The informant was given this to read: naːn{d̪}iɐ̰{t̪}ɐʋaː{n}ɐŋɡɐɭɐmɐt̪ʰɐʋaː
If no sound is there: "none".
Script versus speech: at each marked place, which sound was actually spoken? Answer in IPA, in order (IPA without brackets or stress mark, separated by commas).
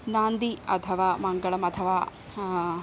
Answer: d̪, t̪ʰ, m